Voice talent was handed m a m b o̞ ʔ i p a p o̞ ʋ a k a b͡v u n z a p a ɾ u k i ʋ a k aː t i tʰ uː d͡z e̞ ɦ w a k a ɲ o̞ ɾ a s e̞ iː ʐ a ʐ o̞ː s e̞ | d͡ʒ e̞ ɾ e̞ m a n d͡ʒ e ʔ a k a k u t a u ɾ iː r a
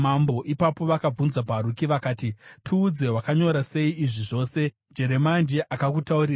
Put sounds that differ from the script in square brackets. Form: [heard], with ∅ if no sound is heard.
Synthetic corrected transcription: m a m b o̞ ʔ i p a p o̞ ʋ a k a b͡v u n z a p a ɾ u k i ʋ a k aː t i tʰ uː d͡z e̞ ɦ w a k a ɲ o̞ ɾ a s e̞ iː ʐ [i] ʐ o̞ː s e̞ | d͡ʒ e̞ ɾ e̞ m a n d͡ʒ e ʔ a k a k u t a u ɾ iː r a